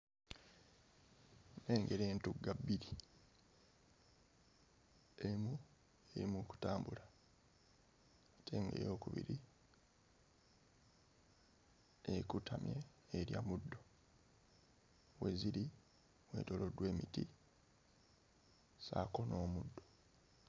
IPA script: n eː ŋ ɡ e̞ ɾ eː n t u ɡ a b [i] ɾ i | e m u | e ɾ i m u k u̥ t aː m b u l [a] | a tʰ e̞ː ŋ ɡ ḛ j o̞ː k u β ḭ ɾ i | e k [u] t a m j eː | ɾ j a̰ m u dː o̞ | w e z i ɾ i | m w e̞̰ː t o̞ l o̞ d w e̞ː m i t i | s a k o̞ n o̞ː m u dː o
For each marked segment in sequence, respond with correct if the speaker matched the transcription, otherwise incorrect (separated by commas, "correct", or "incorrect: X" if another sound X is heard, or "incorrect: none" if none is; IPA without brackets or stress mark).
correct, correct, correct